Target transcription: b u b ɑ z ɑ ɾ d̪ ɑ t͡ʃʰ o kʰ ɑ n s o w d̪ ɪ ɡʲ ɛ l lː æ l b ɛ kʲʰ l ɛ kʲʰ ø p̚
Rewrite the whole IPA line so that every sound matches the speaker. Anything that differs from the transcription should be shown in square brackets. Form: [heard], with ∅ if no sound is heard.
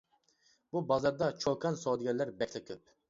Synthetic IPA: b u b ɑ z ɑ ɾ d̪ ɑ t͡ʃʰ o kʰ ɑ n s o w d̪ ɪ ɡʲ ɛ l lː æ [ɾ] b ɛ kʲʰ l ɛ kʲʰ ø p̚